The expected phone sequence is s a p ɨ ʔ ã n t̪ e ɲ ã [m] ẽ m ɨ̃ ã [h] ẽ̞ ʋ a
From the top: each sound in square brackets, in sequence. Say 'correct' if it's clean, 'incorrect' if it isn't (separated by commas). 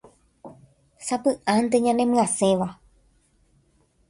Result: incorrect, incorrect